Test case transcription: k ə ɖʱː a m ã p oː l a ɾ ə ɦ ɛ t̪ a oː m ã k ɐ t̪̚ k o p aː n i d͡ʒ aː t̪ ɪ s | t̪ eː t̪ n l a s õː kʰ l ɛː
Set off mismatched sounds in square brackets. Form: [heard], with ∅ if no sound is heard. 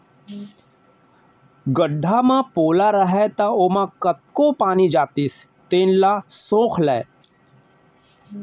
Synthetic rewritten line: [ɡ] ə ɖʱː a m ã p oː l a ɾ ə ɦ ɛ t̪ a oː m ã k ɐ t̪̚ k o p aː n i d͡ʒ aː t̪ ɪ s | t̪ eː [∅] n l a s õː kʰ l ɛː